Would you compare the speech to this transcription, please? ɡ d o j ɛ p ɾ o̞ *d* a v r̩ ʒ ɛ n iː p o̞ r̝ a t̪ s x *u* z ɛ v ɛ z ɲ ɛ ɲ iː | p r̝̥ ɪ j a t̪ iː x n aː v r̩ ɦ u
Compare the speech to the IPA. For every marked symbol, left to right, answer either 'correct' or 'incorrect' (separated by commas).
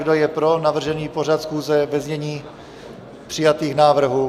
incorrect, incorrect